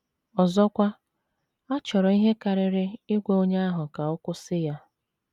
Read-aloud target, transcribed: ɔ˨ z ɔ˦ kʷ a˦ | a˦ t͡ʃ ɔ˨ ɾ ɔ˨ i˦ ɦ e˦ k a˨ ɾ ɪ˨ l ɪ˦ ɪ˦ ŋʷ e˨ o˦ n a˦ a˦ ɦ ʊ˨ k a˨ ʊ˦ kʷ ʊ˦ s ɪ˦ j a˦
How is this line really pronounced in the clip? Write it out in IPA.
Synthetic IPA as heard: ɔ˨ z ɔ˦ kʷ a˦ | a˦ t͡ʃ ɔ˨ ɾ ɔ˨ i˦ ɦ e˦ k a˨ ɾ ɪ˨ ɾ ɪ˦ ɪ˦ ɡʷ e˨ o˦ ɲ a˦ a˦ ɦ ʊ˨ k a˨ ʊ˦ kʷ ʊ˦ s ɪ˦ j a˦